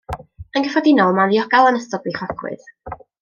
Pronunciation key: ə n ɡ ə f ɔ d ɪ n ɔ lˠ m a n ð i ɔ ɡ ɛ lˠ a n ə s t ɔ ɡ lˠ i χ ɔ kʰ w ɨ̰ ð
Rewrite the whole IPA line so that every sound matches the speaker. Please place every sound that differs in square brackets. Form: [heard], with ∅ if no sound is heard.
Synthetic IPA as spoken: ə n ɡ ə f ɔ d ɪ n ɔ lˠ m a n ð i ɔ ɡ [a] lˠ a n ə s t ɔ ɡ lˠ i χ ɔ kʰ w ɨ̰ ð